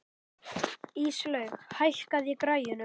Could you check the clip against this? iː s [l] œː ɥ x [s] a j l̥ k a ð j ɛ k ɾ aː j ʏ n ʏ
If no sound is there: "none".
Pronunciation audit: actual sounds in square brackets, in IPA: l, h

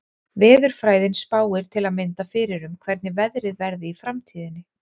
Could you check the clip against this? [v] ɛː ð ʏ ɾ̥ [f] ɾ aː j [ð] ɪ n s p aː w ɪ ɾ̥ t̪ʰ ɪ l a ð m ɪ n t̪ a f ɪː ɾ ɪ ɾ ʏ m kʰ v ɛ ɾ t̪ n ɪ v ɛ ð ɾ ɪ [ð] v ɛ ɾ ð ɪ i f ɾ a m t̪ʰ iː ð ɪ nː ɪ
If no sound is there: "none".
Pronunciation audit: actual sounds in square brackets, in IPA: v, f, ð, ð

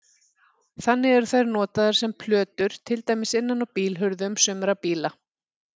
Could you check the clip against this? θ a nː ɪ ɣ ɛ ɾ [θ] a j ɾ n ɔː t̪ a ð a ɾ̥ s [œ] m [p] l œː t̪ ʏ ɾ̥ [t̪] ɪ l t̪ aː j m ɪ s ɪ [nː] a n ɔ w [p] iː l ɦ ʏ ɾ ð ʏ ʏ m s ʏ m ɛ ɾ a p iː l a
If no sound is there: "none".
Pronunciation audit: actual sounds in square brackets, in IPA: θ, ɛ, pʰ, t̪ʰ, nː, p

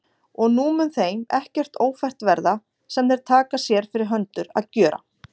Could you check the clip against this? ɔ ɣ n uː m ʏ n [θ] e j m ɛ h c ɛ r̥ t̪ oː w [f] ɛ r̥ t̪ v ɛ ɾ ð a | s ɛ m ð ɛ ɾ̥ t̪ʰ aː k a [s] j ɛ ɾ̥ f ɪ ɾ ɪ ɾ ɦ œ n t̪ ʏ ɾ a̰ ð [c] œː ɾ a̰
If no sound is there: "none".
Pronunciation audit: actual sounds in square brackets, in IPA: θ, f, s, c

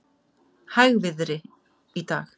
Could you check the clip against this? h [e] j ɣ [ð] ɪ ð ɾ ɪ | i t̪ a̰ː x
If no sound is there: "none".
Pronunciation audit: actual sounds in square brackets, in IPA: a, v

